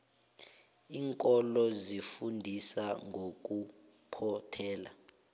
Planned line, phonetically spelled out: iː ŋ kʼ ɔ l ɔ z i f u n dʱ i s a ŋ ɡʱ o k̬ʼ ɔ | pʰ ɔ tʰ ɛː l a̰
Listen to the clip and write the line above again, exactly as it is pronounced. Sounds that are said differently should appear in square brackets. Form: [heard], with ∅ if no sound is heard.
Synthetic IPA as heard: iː ŋ kʼ ɔ l ɔ z i f u n dʱ i s a ŋ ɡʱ o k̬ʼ [u] | pʰ ɔ tʰ ɛː l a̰